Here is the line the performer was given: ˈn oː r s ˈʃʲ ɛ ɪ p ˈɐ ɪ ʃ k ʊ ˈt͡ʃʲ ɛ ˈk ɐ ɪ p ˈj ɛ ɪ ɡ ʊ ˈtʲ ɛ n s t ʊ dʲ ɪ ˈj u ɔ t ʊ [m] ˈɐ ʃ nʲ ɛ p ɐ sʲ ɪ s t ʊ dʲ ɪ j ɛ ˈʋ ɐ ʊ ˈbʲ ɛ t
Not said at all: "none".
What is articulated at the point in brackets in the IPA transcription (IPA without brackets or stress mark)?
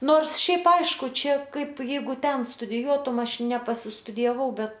m